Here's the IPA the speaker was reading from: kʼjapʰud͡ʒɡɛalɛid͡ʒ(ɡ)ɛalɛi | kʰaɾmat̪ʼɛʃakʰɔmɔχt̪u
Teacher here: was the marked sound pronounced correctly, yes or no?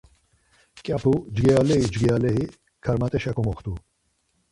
yes